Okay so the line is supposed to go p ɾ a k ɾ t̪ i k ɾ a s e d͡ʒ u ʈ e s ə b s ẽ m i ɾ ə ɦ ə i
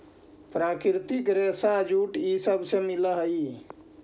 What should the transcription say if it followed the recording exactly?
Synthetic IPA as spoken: p ɾ a k ɾ t̪ i k ɾ e s a d͡ʒ u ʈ i s ə b s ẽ m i l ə ɦ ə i